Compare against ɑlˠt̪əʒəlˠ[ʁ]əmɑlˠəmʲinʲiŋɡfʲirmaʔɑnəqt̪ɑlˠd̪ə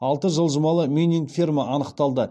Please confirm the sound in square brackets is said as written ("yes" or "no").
no